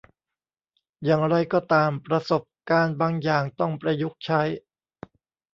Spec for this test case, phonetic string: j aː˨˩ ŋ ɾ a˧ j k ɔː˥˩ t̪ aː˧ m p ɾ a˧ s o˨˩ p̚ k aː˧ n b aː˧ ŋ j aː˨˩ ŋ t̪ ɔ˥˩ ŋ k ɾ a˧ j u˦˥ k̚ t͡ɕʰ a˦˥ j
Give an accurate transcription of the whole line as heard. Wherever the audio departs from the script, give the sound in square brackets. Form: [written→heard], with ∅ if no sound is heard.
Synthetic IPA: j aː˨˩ ŋ ɾ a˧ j k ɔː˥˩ t̪ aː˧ m p ɾ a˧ s o˨˩ p̚ k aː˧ n b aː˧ ŋ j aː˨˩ ŋ t̪ ɔ˥˩ ŋ [k→p] ɾ a˧ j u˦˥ k̚ t͡ɕʰ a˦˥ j